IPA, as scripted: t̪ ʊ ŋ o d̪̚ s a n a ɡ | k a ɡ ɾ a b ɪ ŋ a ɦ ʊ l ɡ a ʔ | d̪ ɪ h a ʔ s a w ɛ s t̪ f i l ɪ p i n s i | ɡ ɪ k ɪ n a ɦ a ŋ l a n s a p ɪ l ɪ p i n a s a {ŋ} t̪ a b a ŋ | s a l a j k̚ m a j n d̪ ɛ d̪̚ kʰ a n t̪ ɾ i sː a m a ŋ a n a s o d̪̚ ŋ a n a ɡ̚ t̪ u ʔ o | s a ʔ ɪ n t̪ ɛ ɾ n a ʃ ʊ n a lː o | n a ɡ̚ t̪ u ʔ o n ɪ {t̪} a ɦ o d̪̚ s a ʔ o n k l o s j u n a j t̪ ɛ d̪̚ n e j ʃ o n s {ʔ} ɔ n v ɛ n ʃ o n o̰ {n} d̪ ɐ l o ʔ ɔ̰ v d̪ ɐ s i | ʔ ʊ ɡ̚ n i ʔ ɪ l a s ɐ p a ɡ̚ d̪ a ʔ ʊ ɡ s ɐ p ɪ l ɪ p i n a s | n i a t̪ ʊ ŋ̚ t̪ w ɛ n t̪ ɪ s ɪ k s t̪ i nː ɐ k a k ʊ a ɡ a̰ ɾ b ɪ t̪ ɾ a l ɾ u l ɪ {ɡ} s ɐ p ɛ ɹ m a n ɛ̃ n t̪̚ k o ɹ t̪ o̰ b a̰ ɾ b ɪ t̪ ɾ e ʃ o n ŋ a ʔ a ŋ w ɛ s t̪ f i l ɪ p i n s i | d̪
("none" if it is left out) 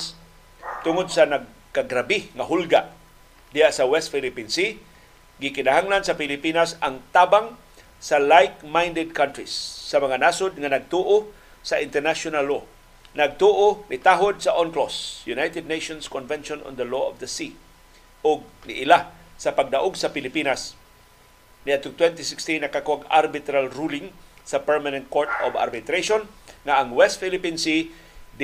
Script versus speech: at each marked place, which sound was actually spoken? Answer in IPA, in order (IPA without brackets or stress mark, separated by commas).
ŋ, t̪, k, n, ŋ